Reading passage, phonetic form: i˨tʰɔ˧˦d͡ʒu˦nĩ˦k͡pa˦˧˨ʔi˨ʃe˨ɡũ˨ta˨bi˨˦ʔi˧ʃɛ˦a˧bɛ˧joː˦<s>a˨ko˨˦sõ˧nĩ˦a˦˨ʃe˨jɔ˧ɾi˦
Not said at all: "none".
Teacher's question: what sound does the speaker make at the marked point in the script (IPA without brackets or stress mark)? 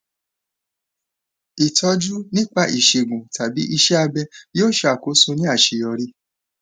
ʃ